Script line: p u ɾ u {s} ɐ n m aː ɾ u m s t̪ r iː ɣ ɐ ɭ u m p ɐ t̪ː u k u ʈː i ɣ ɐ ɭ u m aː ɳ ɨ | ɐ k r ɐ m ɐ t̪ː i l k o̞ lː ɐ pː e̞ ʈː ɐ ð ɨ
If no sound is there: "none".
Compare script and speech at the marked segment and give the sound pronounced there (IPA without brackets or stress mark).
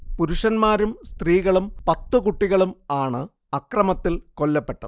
ʂ